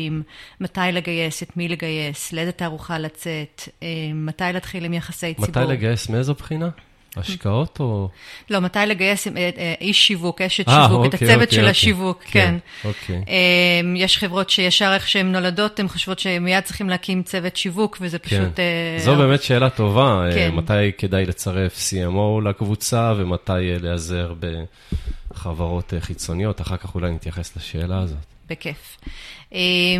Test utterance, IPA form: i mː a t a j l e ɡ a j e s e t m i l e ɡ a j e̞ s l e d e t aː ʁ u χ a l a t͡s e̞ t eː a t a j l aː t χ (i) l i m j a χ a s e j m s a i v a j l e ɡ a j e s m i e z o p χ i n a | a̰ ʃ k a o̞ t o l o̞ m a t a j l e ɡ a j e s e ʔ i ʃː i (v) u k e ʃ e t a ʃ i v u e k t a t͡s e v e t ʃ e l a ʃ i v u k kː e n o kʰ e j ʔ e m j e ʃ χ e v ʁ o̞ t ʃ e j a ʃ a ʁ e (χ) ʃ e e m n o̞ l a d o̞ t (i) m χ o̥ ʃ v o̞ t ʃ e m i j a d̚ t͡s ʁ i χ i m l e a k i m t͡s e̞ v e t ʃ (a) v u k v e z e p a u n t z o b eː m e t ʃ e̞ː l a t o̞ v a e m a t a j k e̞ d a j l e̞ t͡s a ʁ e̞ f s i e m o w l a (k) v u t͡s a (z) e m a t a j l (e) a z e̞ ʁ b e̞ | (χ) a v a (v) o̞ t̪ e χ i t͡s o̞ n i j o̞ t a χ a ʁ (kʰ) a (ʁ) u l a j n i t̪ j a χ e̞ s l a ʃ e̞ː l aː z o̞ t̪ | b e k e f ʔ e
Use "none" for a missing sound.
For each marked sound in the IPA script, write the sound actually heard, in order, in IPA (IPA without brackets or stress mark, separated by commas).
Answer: i, v, χ, e, i, k, v, e, χ, ʁ, k, χ